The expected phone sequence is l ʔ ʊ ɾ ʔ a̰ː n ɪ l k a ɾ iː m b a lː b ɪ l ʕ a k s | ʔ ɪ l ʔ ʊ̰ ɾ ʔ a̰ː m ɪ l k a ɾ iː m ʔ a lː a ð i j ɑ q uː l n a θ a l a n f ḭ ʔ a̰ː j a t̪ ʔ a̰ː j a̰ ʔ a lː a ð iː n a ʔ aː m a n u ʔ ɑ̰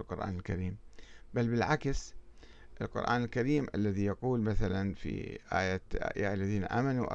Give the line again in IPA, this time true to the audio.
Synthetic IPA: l q ʊ ɾ ʔ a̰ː n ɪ l k a ɾ iː m b a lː b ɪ l ʕ a k s | ʔ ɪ l q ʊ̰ ɾ ʔ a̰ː n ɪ l k a ɾ iː m ʔ a lː a ð i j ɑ q uː l m a θ a l a n f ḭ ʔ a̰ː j a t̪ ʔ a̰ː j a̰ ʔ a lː a ð iː n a ʔ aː m a n u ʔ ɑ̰